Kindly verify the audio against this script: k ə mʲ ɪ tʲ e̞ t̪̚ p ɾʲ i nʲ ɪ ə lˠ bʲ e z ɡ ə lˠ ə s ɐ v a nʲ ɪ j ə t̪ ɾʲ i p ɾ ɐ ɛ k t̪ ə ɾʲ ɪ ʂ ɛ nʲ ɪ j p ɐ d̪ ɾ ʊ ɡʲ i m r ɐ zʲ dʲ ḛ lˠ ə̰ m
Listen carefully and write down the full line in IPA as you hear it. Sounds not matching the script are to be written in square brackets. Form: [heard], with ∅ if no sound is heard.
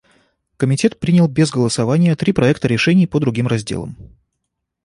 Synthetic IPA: k ə mʲ ɪ tʲ e̞ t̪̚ p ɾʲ i nʲ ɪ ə lˠ bʲ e z ɡ ə lˠ ə s ɐ v a nʲ ɪ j ə t̪ ɾʲ i p ɾ ɐ ɛ k t̪ ə ɾʲ ɪ ʂ ɛ nʲ ɪ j p [ə] d̪ ɾ ʊ ɡʲ i m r ɐ zʲ dʲ ḛ lˠ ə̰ m